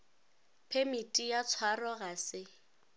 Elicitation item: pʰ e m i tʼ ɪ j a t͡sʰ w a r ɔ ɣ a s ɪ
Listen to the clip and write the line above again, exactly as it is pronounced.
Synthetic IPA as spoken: pʰ e m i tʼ i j a t͡sʰ w a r ɔ ɣ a s ɪ